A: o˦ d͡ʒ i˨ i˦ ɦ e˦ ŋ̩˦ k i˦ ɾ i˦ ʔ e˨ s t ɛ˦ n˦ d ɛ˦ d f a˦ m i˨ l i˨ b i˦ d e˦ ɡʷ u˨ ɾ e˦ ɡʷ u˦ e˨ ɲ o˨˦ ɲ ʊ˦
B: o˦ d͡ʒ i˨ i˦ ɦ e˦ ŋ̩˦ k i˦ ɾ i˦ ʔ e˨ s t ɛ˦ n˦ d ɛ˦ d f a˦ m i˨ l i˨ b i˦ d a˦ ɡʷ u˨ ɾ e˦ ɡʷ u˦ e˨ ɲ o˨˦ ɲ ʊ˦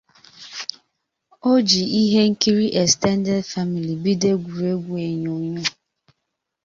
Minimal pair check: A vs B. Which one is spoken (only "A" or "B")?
A